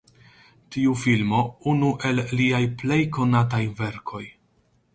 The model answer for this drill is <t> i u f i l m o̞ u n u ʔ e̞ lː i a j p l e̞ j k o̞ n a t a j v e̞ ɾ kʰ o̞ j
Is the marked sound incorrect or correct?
correct